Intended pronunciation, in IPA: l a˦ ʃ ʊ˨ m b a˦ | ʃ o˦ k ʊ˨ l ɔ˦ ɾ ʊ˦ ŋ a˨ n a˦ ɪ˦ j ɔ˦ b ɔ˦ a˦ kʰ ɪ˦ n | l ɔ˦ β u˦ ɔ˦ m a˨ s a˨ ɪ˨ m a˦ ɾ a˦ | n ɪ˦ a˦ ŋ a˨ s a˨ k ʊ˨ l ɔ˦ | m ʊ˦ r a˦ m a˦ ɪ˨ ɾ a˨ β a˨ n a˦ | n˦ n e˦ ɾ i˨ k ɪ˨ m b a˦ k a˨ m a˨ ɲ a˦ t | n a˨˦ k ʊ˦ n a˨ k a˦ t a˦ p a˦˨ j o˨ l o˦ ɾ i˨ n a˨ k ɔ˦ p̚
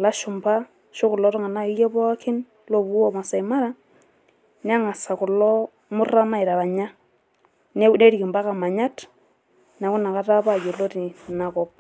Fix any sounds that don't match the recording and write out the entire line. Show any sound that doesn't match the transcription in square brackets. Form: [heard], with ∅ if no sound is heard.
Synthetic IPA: l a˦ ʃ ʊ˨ m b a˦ | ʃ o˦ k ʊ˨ l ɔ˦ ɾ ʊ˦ ŋ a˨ n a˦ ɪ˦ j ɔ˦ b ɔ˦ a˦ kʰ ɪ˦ n | l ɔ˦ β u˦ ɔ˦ m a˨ s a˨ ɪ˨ m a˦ ɾ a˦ | n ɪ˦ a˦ ŋ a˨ s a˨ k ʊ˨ l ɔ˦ | m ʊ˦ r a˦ m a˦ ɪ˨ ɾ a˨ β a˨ [ɲ] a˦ | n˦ n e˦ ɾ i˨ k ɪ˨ m b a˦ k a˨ m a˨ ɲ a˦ t | n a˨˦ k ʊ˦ n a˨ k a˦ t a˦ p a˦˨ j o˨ l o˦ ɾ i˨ n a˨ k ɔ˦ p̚